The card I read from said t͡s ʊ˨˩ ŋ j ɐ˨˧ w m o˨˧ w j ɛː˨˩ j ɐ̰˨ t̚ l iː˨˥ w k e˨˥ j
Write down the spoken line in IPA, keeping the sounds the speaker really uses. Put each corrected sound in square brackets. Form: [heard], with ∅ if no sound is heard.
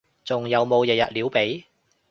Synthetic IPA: t͡s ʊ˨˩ ŋ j ɐ˨˧ w m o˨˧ w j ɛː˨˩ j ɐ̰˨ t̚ l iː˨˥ w [p] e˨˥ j